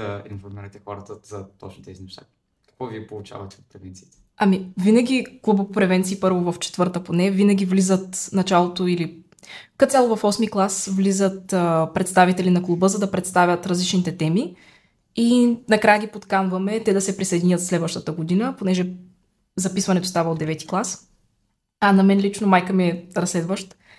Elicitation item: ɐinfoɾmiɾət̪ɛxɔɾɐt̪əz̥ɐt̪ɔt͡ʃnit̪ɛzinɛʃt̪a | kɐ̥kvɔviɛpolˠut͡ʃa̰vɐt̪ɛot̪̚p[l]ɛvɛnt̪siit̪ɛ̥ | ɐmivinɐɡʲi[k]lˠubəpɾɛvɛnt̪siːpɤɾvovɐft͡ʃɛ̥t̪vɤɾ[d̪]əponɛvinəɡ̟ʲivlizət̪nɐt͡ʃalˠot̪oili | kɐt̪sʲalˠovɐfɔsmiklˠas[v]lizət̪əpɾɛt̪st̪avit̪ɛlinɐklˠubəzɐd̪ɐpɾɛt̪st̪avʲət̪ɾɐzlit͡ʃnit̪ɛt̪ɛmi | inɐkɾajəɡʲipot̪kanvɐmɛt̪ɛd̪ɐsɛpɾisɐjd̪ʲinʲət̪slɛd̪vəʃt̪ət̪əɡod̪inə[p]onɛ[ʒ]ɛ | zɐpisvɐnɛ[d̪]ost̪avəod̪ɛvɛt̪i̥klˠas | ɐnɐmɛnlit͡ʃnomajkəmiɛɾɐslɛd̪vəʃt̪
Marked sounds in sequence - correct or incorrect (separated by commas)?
incorrect, correct, incorrect, correct, correct, correct, incorrect